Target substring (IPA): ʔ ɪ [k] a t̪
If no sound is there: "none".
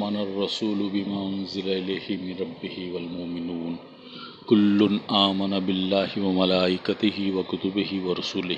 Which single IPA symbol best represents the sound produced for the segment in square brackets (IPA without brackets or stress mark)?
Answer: k